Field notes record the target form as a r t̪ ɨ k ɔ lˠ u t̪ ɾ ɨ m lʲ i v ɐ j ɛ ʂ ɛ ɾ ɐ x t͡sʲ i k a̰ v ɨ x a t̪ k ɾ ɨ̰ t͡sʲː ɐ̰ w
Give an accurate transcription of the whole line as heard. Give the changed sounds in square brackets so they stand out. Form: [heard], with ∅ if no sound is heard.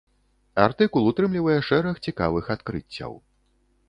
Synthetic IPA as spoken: a r t̪ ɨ k [u] lˠ u t̪ ɾ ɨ m lʲ i v ɐ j ɛ ʂ ɛ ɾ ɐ x t͡sʲ i k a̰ v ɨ x a t̪ k ɾ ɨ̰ t͡sʲː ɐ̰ w